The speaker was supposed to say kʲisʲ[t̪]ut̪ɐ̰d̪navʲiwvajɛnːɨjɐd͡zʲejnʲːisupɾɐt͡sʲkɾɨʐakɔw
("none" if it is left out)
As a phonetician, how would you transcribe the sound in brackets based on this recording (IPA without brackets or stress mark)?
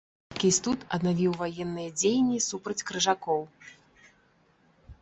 t̪